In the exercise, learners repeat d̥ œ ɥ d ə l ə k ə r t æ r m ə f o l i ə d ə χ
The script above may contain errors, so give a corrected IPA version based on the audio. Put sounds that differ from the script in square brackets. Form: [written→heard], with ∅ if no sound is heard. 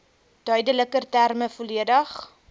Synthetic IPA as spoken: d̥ œ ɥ d ə l ə k ə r t æ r m ə f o l i ə d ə χ